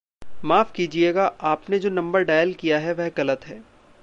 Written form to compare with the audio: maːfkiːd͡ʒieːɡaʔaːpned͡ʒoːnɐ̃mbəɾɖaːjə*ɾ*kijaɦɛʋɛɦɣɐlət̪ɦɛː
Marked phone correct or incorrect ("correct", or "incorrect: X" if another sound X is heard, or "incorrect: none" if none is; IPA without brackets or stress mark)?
incorrect: l